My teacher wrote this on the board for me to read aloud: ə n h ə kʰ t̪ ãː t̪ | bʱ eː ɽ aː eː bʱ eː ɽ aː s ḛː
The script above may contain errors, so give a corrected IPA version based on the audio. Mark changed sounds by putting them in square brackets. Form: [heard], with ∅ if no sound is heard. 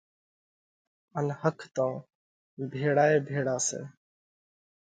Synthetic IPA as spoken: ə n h ə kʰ t̪ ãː [∅] | bʱ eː ɽ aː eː bʱ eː ɽ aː s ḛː